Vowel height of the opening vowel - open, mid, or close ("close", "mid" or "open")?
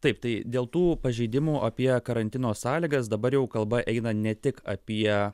open